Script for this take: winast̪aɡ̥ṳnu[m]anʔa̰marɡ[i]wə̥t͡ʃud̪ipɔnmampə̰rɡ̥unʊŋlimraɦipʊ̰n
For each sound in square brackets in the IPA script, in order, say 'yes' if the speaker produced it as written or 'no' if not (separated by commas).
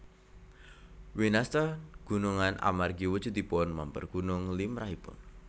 no, yes